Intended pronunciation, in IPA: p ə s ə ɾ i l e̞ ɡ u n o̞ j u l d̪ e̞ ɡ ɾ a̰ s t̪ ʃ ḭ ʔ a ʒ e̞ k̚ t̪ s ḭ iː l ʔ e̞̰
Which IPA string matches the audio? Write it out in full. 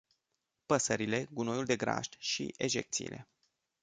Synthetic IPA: p ə s ə ɾ i l e̞ ɡ u n o̞ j u l d̪ e̞ ɡ ɾ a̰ ʃ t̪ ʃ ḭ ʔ e ʒ e̞ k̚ t̪ s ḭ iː l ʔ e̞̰

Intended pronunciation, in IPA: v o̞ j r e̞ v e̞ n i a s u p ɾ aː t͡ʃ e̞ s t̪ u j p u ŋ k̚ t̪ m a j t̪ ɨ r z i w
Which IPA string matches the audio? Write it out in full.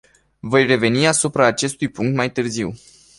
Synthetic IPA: v o̞ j r e̞ v e̞ n i a s u p ɾ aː t͡ʃ e̞ s t̪ u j p u ŋ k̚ t̪ m a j t̪ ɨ r z i w

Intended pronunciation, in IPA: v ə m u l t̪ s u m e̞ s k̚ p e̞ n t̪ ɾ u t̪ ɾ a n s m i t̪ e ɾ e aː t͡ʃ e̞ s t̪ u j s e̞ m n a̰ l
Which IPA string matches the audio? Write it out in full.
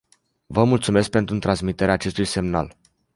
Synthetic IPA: v ə m u l t̪ s u m e̞ s k̚ p e̞ n t̪ ɾ u t̪ ɾ a n s m i t̪ e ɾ e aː t͡ʃ e̞ s t̪ u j s e̞ m n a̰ l

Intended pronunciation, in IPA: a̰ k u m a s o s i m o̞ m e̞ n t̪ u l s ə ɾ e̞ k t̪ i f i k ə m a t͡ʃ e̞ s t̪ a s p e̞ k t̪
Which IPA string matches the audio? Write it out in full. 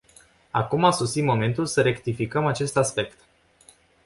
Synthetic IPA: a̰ k u m a s o s i m o̞ m e̞ n t̪ u l s ə ɾ e̞ k t̪ i f i k ə m a t͡ʃ e̞ s t̪ a s p e̞ k t̪

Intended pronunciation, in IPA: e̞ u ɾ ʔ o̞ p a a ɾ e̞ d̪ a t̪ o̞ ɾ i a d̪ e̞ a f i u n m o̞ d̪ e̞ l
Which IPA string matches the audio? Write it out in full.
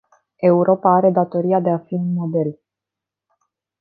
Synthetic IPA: e̞ u ɾ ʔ o̞ p a a ɾ e̞ d̪ a t̪ o̞ ɾ i a d̪ e̞ a f i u n m o̞ d̪ e̞ l

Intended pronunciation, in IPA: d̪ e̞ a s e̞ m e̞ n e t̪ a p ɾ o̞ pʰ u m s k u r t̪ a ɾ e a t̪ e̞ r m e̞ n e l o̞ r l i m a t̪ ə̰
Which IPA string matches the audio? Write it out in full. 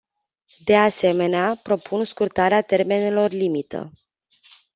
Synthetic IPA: d̪ e̞ a s e̞ m e̞ n e a p ɾ o̞ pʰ u n s k u r t̪ a ɾ e a t̪ e̞ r m e̞ n e l o̞ r l i m i t̪ ə̰

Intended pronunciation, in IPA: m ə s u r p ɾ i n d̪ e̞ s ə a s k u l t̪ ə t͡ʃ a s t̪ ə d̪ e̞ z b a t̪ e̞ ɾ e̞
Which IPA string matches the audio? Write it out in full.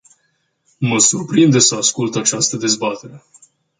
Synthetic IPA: m ə s u r p ɾ i n d̪ e̞ s ə a s k u l t̪ a t͡ʃ a s t̪ ə d̪ e̞ z b a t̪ e̞ ɾ e̞

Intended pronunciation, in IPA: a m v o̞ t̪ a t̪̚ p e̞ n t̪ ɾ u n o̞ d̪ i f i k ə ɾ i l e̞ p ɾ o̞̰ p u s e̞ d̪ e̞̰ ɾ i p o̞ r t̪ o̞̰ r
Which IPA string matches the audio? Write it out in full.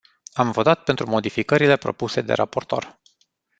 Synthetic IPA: a m v o̞ t̪ a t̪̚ p e̞ n t̪ ɾ u m o̞ d̪ i f i k ə ɾ i l e̞ p ɾ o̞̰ p u s e̞ d̪ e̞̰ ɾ a p o̞ r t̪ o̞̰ r

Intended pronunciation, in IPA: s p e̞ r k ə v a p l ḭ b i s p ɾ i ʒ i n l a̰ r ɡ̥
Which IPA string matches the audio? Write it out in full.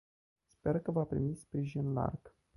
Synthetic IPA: s p e̞ r k ə v a p ɾ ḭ m i s p ɾ i ʒ i n l a̰ r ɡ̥

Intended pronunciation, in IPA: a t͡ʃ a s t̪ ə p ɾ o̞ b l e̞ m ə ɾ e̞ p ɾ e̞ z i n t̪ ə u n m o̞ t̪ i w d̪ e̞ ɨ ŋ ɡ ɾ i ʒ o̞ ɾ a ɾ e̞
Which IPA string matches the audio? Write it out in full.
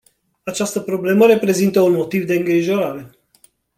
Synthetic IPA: a t͡ʃ a s t̪ ə p ɾ o̞ b l e̞ m ə ɾ e̞ p ɾ e̞ z i n t̪ ə u n m o̞ t̪ i v d̪ e̞ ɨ ŋ ɡ ɾ i ʒ o̞ ɾ a ɾ e̞

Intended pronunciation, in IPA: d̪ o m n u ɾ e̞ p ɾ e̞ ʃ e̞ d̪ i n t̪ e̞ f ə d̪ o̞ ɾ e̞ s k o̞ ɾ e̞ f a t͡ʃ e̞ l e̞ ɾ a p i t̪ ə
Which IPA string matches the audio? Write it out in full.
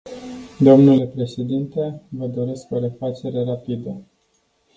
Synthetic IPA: d̪ o m n u l e̞ p ɾ e̞ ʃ e̞ d̪ i n t̪ e̞ v ə d̪ o̞ ɾ e̞ s k o̞ ɾ e̞ f a t͡ʃ e̞ ɾ e̞ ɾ a p i d̪ ə

